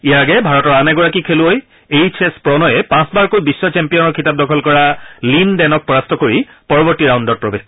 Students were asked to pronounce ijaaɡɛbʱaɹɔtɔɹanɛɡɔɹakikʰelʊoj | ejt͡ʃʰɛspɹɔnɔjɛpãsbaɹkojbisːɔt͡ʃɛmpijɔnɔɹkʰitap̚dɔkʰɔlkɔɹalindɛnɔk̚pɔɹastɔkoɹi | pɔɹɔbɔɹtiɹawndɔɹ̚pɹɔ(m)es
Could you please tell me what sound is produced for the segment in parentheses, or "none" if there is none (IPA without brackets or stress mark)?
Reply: b